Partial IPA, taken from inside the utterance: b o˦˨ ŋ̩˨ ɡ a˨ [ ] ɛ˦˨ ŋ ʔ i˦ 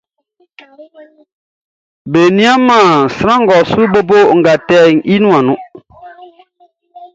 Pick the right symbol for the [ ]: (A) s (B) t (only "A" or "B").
B